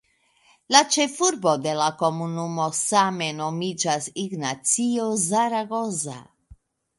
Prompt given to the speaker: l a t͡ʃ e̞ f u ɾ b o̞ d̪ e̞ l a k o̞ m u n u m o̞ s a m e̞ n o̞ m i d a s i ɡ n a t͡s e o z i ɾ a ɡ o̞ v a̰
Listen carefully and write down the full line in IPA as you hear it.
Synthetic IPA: l a t͡ʃ e̞ f u ɾ b o̞ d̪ e̞ l a k o̞ m u n u m o̞ s a m e̞ n o̞ m i d͡ʒ a s i ɡ n a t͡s i o z a ɾ a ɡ o̞ z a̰